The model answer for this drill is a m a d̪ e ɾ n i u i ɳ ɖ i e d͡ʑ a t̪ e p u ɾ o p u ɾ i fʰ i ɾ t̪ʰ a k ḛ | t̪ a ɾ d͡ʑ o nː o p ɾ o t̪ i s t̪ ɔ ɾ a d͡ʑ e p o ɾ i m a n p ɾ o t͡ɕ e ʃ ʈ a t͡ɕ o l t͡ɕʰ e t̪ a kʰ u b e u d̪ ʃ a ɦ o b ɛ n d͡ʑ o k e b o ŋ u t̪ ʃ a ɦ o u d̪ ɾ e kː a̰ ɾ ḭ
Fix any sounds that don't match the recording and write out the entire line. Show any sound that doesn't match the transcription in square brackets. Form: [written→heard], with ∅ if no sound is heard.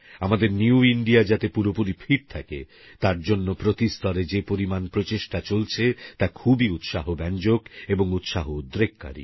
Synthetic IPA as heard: a m a d̪ e ɾ n i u i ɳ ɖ i [e→a] d͡ʑ a t̪ e p u ɾ o p u ɾ i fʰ i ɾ t̪ʰ a k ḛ | t̪ a ɾ d͡ʑ o nː o p ɾ o t̪ i s t̪ ɔ ɾ [a→e] d͡ʑ e p o ɾ i m a n p ɾ o t͡ɕ e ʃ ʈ a t͡ɕ o l t͡ɕʰ e t̪ a kʰ u b [e→i] u [d̪→t̪] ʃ a ɦ o b ɛ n d͡ʑ o k e b o ŋ u t̪ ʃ a ɦ o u d̪ ɾ e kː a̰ ɾ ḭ

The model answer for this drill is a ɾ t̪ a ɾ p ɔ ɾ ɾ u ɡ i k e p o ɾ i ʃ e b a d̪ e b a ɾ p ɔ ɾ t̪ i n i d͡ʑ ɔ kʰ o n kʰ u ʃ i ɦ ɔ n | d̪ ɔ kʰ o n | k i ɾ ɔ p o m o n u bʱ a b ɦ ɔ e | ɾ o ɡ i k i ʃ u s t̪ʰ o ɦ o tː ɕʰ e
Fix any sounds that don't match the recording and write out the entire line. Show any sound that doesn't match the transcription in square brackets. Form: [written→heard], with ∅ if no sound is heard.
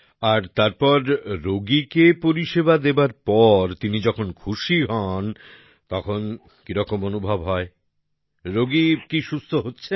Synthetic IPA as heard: a ɾ t̪ a ɾ p ɔ ɾ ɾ [u→o] ɡ i k e p o ɾ i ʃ e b a d̪ e b a ɾ p ɔ ɾ t̪ i n i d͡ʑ ɔ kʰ o n kʰ u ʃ i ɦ ɔ n | [d̪→t̪] ɔ kʰ o n | k i ɾ ɔ [p→k] o m o n u bʱ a b ɦ ɔ e | ɾ o ɡ i k i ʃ u s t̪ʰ o ɦ o tː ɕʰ e

